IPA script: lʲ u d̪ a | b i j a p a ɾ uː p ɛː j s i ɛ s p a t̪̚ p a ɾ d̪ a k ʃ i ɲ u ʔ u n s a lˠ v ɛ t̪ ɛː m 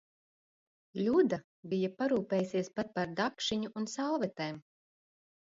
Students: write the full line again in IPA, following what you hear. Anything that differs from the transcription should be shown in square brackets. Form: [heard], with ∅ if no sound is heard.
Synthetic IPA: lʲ u d̪ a | b i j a p a ɾ uː p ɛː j s i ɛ s p a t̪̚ p a ɾ d̪ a k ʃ i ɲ u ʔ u n s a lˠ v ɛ t̪ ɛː m